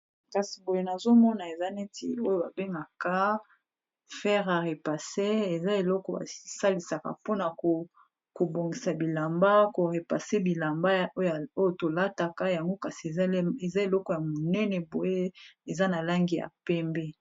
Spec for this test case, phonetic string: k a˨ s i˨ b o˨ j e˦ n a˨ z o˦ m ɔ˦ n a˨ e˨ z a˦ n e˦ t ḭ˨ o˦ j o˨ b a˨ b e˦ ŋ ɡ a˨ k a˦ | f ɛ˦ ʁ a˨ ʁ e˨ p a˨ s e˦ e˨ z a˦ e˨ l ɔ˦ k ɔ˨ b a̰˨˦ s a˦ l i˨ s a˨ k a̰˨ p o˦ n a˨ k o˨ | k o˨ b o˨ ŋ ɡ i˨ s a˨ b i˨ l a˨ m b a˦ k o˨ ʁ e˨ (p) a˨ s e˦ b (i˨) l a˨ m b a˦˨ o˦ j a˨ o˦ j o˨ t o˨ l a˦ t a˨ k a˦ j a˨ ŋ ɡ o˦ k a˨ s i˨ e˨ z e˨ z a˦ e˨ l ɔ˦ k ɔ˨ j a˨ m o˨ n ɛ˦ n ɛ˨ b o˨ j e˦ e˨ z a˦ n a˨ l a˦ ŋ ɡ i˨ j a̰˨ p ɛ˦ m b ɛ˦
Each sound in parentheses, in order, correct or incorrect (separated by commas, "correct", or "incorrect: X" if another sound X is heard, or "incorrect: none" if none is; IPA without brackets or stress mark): correct, correct